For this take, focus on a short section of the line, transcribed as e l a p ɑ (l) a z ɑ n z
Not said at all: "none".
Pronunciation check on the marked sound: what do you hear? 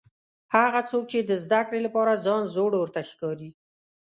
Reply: ɾ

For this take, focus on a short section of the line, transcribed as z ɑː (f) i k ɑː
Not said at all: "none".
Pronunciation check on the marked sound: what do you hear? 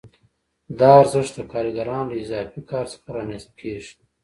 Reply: f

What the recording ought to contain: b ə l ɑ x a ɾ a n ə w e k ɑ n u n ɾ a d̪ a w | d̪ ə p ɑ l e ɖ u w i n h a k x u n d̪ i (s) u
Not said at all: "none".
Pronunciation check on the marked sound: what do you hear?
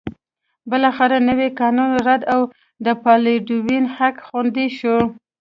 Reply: ʃ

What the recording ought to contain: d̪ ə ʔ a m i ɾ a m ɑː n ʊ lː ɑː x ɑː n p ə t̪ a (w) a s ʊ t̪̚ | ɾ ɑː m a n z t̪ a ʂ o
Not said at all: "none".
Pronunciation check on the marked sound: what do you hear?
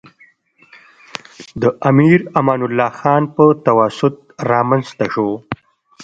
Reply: w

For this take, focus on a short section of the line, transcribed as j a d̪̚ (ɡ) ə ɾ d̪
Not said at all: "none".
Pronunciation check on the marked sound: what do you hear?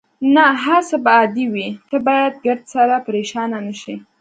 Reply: ɡ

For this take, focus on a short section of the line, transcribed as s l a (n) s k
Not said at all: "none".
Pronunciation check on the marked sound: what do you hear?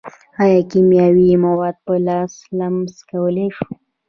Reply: m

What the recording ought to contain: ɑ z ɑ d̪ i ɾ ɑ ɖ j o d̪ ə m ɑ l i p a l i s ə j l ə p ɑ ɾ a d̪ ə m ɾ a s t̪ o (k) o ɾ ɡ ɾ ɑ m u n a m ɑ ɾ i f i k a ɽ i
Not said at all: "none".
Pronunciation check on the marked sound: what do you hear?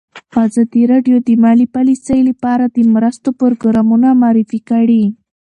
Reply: p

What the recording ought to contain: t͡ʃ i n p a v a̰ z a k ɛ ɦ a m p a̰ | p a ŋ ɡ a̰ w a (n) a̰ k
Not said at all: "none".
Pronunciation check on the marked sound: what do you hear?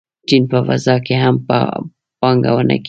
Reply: n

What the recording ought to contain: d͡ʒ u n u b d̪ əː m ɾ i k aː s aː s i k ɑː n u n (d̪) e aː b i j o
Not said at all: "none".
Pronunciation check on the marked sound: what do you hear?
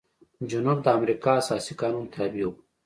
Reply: t̪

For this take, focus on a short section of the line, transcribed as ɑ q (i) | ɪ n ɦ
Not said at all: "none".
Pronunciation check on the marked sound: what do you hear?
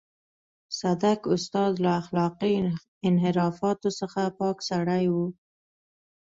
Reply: i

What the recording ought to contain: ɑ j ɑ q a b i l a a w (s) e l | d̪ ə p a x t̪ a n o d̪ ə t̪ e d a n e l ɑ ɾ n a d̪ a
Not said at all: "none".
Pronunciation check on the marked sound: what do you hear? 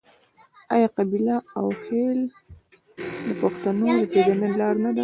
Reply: x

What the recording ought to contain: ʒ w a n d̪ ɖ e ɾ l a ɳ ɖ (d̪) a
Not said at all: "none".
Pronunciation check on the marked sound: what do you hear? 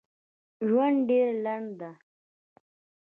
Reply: d̪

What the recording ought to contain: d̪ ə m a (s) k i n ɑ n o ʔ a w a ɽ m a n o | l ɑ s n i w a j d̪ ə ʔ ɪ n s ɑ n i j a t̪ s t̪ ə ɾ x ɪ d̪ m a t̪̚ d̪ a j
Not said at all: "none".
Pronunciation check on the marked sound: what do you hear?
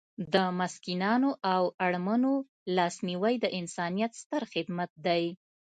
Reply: s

